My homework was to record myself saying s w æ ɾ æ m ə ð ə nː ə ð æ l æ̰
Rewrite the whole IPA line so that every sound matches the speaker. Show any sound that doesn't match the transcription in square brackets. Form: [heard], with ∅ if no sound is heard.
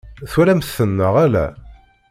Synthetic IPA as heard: [θ] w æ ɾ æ m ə [θ] ə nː ə [ʁ] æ l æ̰